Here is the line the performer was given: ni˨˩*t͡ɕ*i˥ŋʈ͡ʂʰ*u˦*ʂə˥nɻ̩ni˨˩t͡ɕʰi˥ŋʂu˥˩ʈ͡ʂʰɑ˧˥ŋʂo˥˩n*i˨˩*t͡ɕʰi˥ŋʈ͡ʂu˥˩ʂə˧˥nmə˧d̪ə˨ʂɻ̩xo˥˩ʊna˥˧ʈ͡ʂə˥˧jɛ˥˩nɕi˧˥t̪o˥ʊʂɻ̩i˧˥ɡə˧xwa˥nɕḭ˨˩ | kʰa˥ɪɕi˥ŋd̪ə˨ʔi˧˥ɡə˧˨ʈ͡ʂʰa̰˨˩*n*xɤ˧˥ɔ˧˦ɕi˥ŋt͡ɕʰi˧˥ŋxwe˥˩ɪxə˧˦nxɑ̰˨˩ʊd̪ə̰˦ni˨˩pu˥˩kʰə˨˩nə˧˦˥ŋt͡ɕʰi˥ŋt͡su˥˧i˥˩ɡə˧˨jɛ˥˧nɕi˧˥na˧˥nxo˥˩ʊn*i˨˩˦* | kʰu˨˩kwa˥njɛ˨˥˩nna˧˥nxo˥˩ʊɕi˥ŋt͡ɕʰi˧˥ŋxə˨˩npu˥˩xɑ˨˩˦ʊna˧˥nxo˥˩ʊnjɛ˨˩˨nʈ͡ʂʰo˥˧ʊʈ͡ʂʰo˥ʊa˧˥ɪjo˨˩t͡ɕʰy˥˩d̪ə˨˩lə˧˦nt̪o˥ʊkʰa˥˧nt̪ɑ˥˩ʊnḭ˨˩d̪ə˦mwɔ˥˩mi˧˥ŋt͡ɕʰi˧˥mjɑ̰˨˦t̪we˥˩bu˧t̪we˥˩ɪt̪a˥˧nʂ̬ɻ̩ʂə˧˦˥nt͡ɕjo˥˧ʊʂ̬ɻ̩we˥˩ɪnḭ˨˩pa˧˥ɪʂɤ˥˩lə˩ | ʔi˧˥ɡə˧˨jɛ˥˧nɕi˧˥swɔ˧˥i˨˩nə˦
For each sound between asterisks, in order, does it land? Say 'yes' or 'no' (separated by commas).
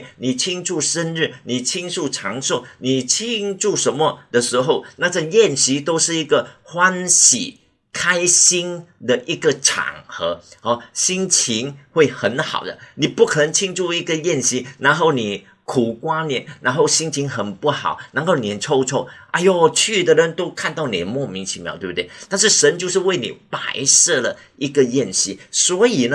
no, no, yes, no, no